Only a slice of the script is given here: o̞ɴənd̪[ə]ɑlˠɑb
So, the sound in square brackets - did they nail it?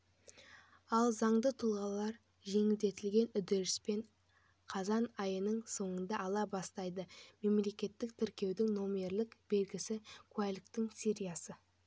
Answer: no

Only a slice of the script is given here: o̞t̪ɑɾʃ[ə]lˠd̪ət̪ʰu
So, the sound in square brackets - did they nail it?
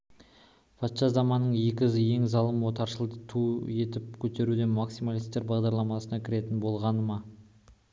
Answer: yes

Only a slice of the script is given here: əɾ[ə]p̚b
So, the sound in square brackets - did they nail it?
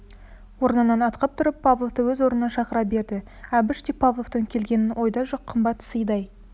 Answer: no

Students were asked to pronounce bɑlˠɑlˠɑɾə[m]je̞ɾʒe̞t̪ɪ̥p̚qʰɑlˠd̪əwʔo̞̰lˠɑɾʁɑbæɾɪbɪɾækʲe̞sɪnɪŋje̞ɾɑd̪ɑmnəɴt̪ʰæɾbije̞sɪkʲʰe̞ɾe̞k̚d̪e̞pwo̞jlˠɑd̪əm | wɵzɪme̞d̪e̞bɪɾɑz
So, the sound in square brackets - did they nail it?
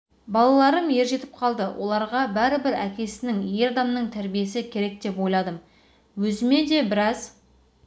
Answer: yes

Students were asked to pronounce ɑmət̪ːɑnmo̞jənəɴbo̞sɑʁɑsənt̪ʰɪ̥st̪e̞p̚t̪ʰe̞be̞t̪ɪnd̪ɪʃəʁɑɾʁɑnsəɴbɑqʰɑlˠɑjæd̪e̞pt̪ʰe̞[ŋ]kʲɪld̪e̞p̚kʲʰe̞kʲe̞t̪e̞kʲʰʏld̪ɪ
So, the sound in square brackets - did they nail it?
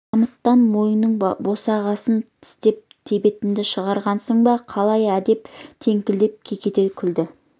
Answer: yes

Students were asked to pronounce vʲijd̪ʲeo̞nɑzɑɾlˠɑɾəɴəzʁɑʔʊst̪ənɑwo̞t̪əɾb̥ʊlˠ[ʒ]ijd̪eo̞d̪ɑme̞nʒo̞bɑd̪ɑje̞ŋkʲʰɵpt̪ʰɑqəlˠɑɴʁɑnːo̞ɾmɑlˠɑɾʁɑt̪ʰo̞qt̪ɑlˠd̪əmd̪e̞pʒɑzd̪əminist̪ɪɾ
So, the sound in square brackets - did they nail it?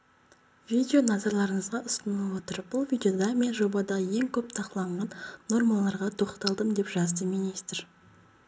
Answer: no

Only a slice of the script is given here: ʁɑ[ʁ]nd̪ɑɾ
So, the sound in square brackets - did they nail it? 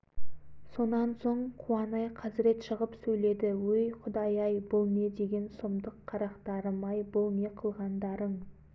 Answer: no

